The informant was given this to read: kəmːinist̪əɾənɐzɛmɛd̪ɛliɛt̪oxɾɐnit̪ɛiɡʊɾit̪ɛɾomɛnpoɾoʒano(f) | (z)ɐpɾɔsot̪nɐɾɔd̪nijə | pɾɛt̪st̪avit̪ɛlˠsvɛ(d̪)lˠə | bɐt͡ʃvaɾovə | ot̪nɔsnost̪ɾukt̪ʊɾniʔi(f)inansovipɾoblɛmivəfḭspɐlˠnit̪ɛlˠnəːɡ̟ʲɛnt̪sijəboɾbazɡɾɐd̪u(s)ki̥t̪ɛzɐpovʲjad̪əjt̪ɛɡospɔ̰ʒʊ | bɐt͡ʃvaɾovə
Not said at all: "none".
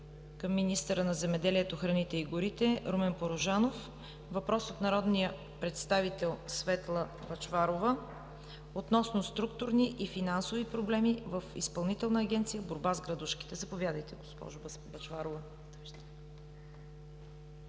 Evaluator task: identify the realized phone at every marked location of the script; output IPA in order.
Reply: f, v, t̪, f, ʃ

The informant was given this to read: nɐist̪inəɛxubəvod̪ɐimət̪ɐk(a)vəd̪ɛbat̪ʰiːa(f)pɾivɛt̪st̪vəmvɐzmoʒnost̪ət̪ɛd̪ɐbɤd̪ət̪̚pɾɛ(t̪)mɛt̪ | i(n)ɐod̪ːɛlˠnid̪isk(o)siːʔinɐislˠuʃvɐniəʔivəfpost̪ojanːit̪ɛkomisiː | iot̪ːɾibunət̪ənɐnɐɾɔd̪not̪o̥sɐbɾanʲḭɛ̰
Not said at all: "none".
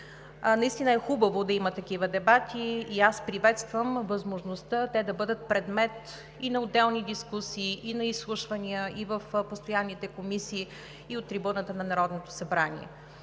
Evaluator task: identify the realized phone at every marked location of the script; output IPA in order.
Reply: i, s, d̪, n, u

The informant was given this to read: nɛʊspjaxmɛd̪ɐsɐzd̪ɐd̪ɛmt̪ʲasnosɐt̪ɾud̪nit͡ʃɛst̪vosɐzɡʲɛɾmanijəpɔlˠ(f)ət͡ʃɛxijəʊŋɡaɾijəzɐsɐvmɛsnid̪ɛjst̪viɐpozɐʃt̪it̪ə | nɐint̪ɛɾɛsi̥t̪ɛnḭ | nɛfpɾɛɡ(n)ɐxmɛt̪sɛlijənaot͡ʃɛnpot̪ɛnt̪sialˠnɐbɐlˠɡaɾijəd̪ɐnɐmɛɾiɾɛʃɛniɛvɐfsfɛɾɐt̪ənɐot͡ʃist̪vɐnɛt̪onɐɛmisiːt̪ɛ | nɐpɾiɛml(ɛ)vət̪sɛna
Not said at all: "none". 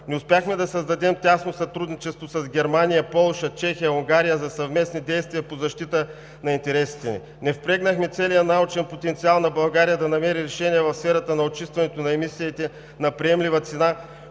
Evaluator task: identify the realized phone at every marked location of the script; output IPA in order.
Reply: ʃ, n, i

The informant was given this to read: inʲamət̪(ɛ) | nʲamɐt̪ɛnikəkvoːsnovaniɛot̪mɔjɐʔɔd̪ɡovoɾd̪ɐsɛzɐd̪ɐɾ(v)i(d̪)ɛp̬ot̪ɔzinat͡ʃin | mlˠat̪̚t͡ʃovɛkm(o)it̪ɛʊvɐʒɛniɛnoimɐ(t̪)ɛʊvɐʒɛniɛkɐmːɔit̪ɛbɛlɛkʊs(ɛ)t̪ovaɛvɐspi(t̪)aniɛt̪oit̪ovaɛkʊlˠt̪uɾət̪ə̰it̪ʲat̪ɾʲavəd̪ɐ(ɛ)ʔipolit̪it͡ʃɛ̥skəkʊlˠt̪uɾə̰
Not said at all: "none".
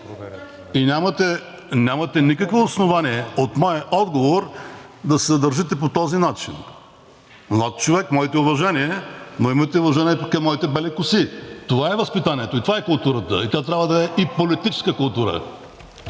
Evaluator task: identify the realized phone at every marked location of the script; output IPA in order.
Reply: ɛ, ʒ, t̪, ɔ, t̪, i, t̪, ɛ

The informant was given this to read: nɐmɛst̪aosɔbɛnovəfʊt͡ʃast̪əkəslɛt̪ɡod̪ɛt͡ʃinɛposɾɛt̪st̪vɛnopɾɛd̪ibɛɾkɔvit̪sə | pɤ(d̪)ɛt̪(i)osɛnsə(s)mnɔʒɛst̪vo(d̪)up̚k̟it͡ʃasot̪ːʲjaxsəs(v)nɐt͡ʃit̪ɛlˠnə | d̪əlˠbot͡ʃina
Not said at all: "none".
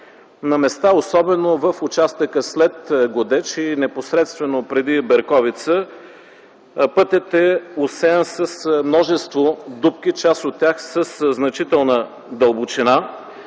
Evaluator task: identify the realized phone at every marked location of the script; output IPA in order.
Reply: t̪, ɛ, s, d̪, z

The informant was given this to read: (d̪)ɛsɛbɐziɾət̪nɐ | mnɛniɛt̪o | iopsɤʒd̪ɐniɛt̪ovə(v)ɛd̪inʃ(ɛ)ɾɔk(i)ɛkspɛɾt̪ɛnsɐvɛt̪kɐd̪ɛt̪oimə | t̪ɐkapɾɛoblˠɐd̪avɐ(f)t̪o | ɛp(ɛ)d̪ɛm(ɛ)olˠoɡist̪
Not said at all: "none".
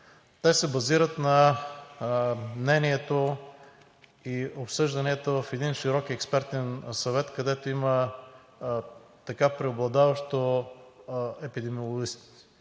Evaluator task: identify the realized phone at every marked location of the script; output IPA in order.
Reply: t̪, f, i, i, ʃ, i, i

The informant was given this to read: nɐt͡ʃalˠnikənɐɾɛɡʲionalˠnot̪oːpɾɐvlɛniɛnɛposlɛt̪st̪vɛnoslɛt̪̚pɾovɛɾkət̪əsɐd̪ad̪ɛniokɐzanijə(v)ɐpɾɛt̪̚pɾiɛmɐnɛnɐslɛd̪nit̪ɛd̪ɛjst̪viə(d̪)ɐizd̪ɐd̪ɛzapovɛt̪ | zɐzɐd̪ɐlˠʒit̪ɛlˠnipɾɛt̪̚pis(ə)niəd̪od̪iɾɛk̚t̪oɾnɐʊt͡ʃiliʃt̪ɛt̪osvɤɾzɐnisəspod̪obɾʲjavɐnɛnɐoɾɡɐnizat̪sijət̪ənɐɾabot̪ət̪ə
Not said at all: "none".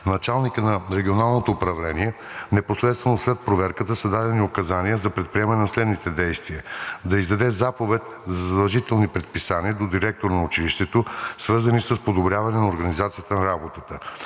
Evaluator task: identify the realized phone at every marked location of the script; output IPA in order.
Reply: z, d̪, a

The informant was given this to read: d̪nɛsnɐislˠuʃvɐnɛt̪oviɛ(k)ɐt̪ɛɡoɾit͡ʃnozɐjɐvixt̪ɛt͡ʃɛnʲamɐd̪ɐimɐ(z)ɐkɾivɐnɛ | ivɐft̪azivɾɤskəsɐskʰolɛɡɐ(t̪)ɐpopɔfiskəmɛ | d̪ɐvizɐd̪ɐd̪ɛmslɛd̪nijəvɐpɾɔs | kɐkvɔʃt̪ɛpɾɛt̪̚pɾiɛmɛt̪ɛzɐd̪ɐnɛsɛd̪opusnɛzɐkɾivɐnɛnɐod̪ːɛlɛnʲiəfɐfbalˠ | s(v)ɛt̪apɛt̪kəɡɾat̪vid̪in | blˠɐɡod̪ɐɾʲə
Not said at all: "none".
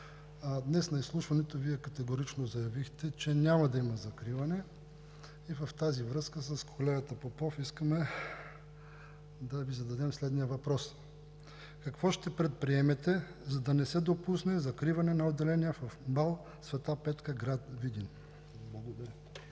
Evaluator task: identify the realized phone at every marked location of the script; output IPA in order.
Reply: k, z, t̪, v

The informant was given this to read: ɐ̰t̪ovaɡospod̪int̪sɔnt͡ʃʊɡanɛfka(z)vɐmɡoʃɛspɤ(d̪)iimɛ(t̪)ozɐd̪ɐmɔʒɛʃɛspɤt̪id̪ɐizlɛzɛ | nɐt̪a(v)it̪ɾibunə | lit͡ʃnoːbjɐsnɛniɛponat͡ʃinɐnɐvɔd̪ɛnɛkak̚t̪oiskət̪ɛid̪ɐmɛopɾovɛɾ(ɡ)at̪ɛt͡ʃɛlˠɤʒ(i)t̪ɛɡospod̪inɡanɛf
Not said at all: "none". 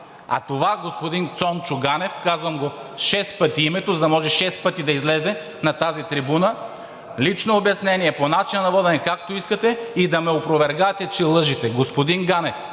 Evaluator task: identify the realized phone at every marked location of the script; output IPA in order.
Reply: z, t̪, t̪, z, ɡ, i

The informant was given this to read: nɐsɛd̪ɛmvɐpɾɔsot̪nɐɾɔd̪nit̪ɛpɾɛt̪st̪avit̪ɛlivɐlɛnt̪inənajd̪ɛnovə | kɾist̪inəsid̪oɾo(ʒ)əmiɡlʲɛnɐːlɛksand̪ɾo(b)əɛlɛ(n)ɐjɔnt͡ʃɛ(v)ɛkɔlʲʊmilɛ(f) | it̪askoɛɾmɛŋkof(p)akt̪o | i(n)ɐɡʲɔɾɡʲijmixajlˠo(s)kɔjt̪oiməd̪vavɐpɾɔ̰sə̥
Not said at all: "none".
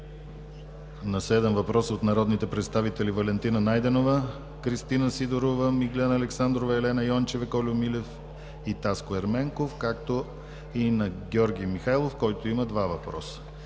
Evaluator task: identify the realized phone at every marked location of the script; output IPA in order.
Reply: v, v, n, v, f, k, n, f

